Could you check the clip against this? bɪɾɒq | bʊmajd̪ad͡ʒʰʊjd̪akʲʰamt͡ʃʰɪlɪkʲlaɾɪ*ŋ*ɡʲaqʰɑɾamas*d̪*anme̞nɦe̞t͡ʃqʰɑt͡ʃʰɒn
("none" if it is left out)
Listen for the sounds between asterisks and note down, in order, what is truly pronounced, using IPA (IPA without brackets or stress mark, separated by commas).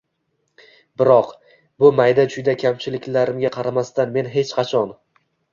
m, t̪